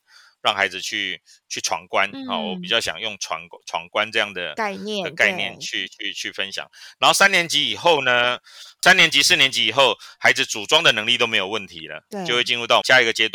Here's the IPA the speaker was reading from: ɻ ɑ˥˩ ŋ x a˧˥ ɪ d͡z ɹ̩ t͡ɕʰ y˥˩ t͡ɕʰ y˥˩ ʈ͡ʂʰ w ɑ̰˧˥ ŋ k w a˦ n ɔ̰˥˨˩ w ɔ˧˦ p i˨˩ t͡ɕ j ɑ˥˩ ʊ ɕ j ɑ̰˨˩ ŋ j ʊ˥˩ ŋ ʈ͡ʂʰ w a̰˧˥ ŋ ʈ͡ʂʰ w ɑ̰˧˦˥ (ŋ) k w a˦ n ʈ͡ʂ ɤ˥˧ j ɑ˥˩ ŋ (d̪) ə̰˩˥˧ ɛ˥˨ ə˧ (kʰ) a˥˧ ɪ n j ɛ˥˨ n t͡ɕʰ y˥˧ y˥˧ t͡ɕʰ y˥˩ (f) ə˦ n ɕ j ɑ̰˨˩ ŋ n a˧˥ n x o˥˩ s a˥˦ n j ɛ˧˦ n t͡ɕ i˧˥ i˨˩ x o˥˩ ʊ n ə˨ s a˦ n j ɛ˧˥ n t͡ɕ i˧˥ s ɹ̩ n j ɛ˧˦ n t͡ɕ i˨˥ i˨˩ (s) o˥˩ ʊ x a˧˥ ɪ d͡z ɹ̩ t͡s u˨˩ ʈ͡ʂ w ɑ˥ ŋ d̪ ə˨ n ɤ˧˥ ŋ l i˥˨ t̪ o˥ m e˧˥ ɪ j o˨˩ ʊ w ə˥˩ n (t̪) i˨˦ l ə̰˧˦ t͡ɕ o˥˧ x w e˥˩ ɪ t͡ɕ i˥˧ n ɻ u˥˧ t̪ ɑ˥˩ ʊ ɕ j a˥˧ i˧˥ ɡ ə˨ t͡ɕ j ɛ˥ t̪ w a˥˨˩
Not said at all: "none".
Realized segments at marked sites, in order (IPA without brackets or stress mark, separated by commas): ŋ, d̪, k, f, x, t̪ʰ